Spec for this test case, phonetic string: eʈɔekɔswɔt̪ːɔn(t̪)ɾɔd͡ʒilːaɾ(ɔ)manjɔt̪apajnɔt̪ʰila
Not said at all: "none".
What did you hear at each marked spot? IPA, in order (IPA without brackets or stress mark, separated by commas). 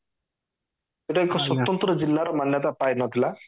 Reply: t̪, ɔ